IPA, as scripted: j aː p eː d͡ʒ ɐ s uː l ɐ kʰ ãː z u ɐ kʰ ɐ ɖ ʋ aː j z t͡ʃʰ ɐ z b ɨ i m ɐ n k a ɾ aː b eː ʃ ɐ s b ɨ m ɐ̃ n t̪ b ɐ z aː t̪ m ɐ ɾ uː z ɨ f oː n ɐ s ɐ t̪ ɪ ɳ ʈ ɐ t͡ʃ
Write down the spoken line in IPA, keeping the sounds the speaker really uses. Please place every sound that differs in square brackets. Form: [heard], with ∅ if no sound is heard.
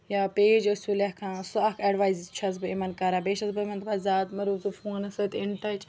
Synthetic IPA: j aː p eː d͡ʒ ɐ s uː l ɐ kʰ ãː [s] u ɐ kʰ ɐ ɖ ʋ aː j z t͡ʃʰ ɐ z b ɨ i m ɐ n k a ɾ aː b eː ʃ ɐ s b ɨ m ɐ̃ n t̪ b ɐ z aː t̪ m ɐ ɾ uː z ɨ f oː n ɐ s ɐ t̪ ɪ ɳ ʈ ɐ t͡ʃ